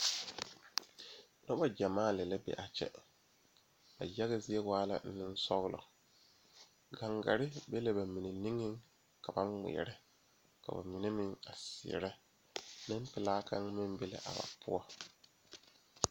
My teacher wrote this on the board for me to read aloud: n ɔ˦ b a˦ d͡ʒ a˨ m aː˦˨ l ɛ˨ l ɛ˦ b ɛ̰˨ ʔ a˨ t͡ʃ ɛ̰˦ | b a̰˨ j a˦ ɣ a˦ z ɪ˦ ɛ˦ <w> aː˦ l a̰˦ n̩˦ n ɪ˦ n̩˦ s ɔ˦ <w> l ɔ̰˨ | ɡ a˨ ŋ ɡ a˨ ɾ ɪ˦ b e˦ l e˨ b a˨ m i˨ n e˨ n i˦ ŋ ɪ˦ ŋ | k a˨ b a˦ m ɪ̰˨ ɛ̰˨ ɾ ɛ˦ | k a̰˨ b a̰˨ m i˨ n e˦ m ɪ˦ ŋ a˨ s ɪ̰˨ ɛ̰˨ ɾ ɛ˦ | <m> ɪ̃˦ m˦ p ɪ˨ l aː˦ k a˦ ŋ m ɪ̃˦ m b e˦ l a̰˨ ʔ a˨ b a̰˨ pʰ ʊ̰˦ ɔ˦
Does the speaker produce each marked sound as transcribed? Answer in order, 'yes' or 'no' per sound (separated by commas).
yes, no, no